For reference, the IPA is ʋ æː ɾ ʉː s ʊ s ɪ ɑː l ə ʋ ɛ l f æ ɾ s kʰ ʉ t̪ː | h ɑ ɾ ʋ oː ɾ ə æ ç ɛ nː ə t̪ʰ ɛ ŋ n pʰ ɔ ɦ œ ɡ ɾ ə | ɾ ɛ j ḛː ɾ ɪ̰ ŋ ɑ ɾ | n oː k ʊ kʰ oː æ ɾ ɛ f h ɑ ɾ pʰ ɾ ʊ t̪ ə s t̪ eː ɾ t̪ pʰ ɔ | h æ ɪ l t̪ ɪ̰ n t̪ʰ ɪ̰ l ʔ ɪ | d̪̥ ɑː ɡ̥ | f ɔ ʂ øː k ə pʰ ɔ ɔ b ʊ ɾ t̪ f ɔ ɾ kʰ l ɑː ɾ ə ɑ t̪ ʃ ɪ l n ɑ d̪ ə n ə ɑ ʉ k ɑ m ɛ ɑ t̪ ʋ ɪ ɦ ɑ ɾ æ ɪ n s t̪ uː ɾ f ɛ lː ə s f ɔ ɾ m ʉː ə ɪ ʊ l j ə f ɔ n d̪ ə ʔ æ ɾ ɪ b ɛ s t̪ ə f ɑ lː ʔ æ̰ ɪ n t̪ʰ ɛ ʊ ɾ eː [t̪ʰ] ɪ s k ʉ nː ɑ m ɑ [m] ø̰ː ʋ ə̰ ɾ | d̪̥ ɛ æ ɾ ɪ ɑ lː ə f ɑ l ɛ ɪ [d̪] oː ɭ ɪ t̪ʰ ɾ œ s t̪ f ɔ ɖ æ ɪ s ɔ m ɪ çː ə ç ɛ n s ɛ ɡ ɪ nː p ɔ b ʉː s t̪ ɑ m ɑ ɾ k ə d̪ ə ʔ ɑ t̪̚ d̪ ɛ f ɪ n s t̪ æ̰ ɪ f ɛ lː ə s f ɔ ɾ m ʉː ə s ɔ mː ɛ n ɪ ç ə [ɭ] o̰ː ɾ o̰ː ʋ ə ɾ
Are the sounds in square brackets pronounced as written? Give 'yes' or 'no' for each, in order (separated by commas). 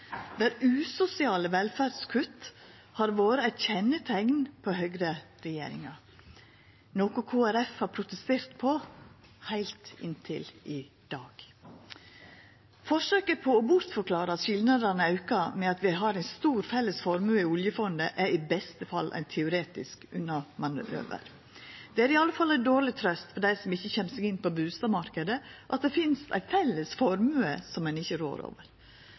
no, no, yes, no